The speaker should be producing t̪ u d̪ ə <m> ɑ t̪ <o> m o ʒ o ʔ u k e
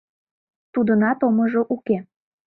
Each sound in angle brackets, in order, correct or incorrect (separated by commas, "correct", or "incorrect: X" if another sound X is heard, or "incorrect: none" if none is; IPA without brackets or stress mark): incorrect: n, correct